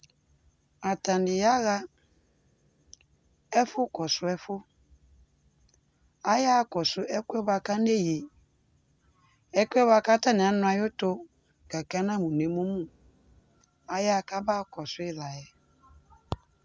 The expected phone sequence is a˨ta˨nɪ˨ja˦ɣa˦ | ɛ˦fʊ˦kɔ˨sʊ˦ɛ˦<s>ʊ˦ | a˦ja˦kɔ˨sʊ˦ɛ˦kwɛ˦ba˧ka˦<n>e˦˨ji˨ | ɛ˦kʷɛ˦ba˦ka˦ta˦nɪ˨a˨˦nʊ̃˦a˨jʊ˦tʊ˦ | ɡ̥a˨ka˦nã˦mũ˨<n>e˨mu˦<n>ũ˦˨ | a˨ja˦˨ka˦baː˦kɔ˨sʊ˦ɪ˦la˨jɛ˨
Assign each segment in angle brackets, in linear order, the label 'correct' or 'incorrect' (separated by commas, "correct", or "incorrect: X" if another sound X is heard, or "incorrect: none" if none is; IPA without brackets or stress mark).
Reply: incorrect: f, correct, correct, incorrect: m